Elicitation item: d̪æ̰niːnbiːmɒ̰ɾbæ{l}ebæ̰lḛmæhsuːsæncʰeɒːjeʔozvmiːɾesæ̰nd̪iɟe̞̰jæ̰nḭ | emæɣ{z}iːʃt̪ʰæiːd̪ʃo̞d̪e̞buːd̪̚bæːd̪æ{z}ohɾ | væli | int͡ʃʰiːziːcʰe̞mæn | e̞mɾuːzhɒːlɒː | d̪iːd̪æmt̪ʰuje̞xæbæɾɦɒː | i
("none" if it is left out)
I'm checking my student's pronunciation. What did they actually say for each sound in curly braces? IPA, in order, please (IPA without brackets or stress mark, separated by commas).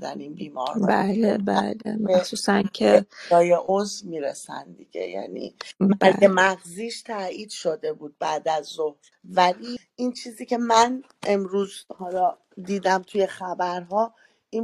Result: l, z, zː